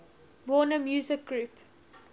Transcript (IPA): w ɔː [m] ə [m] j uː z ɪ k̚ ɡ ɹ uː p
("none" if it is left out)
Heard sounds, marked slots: n, m

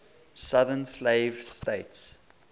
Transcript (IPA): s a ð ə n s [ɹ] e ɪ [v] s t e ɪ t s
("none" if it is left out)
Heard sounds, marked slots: l, v

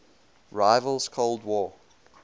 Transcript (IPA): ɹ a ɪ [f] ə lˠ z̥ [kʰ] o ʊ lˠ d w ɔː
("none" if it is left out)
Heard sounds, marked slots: v, kʰ

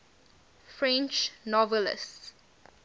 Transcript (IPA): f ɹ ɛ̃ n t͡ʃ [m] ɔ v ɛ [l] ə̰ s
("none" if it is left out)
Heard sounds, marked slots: n, l

